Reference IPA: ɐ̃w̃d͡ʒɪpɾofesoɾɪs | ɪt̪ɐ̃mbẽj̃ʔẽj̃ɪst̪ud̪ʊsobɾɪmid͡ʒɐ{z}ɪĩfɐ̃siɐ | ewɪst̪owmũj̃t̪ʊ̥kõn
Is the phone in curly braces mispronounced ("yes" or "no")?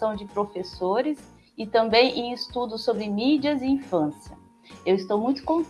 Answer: no